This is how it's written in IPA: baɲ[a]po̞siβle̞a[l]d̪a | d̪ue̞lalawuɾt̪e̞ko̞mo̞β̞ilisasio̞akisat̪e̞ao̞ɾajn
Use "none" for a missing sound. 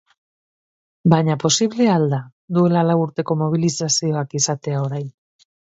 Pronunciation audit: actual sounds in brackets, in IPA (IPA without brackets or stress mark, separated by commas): a, l